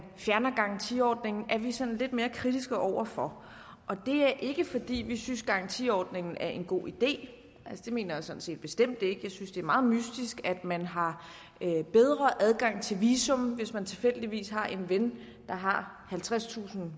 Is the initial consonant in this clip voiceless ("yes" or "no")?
yes